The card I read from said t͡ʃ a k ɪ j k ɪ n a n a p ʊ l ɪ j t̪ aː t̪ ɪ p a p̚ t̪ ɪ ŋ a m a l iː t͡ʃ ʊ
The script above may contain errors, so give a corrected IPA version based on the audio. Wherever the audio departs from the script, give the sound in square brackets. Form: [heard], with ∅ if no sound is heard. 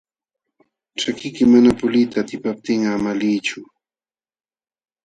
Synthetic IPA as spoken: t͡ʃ a k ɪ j k ɪ [m] a n a p ʊ l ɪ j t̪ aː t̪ ɪ p a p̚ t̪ ɪ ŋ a m a l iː t͡ʃ ʊ

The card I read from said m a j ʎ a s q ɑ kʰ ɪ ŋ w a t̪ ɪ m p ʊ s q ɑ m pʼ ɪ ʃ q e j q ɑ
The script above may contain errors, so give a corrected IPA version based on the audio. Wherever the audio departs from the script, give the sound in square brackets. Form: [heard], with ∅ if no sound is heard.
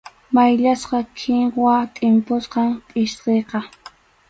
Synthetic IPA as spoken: m a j ʎ a s q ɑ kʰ ɪ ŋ w a [t̪ʼ] ɪ m p ʊ s q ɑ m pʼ ɪ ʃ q e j q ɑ

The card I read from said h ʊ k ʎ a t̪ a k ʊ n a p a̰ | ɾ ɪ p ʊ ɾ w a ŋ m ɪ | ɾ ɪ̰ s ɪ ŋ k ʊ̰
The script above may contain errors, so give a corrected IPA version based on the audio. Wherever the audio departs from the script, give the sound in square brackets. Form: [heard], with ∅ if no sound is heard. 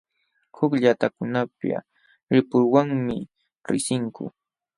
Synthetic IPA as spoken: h ʊ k ʎ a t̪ a k ʊ n a p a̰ | ɾ ɪ p ʊ ɾ w a ŋ m ɪ | ɾ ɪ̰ s ɪ ŋ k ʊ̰

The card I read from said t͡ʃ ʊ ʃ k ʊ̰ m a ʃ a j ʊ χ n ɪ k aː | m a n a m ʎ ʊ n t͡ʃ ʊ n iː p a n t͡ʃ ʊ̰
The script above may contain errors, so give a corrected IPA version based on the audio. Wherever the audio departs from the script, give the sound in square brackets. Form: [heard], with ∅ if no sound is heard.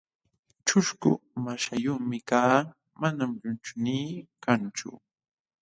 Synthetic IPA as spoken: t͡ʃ ʊ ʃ k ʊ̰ m a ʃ a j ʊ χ [m] ɪ k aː | m a n a m ʎ ʊ n t͡ʃ ʊ n iː [k] a n t͡ʃ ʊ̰

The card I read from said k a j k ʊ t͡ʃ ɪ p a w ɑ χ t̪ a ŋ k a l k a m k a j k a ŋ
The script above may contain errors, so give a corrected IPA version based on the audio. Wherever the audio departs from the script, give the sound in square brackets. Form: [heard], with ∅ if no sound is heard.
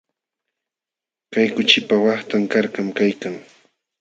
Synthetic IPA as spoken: k a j k ʊ t͡ʃ ɪ p a w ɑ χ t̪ a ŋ k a [ɾ] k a m k a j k a ŋ

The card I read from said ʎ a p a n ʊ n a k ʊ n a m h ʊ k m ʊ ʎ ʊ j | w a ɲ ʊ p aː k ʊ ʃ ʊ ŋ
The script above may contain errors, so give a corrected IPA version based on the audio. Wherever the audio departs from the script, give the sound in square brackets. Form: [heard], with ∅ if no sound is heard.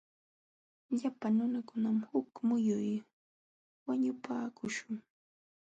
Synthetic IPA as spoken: ʎ a p a n ʊ n a k ʊ n a m h ʊ k m ʊ [j] ʊ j | w a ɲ ʊ p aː k ʊ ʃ ʊ ŋ

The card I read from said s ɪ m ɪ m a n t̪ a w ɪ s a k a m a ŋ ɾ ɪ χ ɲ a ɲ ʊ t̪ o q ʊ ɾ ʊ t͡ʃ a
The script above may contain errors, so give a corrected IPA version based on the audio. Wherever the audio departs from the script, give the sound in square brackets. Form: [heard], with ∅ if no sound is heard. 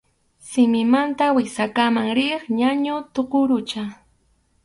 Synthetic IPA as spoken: s ɪ m ɪ m a n t̪ a w ɪ s a k a m a ŋ ɾ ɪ χ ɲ a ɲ ʊ t̪ o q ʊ ɾ ʊ t͡ʃ a

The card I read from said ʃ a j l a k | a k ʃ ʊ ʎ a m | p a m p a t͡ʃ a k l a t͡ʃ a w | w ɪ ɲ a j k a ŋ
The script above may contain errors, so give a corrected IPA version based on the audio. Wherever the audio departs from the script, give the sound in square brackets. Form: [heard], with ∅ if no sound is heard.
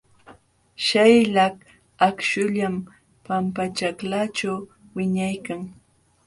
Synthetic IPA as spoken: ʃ a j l a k | a k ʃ ʊ ʎ a m | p a m p a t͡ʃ a k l a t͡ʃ a w | w ɪ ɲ a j k a ŋ

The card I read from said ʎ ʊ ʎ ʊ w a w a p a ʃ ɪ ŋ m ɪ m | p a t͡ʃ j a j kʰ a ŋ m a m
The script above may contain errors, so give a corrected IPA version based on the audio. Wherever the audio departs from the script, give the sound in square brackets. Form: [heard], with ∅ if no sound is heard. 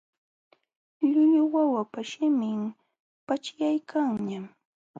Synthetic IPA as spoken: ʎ ʊ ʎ ʊ w a w a p a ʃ ɪ [∅] m ɪ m | p a t͡ʃ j a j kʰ a ŋ [ɲ] a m

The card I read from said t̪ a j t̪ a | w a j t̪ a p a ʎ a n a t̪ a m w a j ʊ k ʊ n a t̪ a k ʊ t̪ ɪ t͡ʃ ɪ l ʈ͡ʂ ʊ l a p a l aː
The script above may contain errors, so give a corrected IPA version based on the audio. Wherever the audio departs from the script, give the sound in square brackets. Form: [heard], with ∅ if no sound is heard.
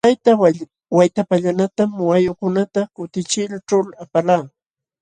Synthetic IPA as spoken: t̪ a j t̪ a | w a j t̪ a p a ʎ a n a t̪ a m w a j ʊ k ʊ n a t̪ a k ʊ t̪ ɪ t͡ʃ ɪ l ʈ͡ʂ ʊ l a p a l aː

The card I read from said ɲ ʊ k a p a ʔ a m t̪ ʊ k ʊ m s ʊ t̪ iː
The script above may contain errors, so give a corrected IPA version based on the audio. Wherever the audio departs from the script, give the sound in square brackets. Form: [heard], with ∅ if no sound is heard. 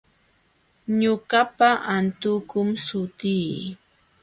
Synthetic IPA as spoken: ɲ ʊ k a p a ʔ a [n] t̪ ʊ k ʊ m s ʊ t̪ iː

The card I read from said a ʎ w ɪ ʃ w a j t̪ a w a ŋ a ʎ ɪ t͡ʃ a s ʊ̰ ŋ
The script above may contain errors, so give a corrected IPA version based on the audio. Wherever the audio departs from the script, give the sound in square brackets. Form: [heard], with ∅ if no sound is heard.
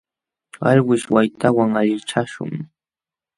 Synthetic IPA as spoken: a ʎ w ɪ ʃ w a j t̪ a w a ŋ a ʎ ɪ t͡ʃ a [ʃ] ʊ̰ ŋ

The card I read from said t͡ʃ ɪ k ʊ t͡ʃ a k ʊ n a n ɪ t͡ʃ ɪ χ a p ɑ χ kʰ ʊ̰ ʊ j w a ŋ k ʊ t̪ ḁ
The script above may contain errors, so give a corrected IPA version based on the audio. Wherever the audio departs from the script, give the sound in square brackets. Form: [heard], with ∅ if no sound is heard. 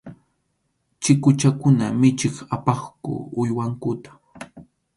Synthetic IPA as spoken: t͡ʃ ɪ k ʊ t͡ʃ a k ʊ n a [m] ɪ t͡ʃ ɪ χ a p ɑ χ [k] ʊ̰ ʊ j w a ŋ k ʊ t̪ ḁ

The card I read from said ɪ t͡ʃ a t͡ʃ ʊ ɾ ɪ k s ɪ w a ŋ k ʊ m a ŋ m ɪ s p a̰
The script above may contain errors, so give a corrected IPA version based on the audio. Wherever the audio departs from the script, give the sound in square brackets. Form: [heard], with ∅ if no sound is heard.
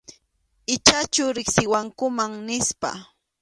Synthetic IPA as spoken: ɪ t͡ʃ a t͡ʃ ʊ ɾ ɪ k s ɪ w a ŋ k ʊ m a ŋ [n] ɪ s p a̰

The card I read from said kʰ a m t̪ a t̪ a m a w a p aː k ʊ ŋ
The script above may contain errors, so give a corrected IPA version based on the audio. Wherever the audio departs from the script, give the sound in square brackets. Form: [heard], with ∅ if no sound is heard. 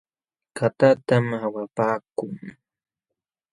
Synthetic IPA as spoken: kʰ a [∅] t̪ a t̪ a m a w a p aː k ʊ ŋ

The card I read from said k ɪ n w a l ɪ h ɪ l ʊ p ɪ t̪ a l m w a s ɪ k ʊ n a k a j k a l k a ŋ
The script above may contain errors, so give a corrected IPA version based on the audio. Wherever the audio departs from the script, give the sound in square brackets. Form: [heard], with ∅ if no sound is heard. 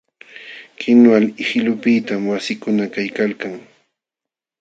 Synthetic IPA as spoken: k ɪ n w a l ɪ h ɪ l ʊ p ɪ t̪ a [∅] m w a s ɪ k ʊ n a k a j k a l k a ŋ

